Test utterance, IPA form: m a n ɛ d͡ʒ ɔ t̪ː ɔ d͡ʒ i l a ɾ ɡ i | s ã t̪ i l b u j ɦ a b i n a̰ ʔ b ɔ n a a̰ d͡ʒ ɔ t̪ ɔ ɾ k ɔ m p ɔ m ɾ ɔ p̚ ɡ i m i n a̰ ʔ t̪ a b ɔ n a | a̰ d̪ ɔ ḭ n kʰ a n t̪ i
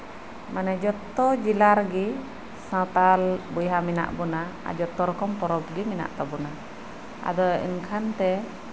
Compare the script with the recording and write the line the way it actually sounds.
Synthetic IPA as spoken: m a n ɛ d͡ʒ ɔ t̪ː ɔ d͡ʒ i l a ɾ ɡ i | s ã t̪ a l b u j ɦ a m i n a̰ ʔ b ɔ n a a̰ d͡ʒ ɔ t̪ ɔ ɾ k ɔ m p ɔ ɾ ɔ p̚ ɡ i m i n a̰ ʔ t̪ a b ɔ n a | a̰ d̪ ɔ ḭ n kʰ a n t̪ ɛ